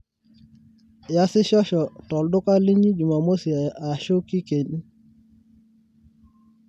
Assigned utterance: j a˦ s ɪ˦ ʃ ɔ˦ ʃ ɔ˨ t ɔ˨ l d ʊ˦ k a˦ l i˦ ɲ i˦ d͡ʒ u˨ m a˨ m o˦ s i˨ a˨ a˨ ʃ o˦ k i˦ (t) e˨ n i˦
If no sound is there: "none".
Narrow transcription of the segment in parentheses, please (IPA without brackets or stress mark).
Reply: k